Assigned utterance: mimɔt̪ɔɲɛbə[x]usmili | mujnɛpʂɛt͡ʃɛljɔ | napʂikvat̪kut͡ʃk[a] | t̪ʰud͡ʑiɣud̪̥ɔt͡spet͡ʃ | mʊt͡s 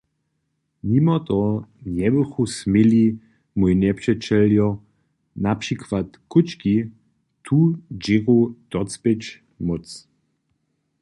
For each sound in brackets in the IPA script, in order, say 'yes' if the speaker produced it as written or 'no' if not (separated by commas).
yes, no